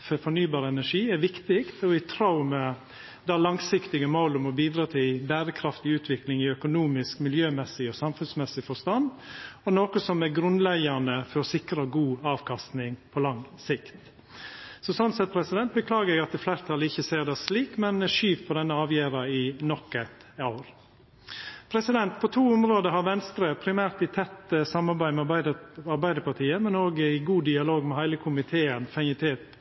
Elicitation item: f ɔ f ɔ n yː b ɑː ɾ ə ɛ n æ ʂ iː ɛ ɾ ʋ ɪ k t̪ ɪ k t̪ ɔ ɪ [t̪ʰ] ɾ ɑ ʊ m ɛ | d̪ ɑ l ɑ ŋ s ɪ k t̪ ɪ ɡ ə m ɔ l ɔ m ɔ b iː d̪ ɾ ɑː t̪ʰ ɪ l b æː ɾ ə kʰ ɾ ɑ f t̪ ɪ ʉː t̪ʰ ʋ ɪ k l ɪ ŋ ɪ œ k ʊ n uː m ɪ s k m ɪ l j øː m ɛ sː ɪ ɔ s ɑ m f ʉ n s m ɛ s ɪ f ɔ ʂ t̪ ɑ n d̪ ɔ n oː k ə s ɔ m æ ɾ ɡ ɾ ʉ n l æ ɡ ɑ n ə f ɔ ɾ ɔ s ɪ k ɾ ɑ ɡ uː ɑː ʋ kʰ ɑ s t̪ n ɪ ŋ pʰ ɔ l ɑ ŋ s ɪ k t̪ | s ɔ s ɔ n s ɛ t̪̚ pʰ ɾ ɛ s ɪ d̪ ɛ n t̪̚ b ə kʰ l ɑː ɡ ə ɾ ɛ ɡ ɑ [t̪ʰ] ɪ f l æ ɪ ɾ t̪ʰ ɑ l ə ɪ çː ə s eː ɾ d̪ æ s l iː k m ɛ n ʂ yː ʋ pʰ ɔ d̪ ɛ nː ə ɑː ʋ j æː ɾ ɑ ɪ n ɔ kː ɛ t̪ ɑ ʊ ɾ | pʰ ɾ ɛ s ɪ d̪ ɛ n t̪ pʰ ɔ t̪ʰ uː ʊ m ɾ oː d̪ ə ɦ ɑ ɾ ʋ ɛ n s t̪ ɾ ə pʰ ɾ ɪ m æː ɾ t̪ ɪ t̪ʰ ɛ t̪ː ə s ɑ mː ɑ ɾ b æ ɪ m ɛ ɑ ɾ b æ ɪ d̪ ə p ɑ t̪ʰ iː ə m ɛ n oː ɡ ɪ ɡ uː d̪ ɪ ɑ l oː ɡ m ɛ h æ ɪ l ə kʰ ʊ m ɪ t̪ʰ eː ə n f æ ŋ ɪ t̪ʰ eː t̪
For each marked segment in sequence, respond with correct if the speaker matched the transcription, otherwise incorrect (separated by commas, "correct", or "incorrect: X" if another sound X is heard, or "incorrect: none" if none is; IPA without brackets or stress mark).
correct, incorrect: t̪